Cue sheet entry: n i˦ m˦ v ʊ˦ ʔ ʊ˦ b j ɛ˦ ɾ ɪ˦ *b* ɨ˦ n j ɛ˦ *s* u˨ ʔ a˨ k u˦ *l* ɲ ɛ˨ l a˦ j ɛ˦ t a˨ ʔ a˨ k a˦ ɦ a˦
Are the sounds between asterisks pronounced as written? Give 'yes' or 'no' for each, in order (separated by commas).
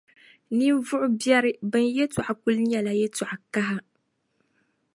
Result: yes, no, yes